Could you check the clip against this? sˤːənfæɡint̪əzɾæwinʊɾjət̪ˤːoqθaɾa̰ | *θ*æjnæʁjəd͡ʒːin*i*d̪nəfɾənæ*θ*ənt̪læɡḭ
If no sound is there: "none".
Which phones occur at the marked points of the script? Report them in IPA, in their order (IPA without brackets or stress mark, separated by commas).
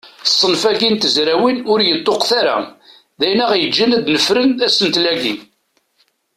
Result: ð, æ, s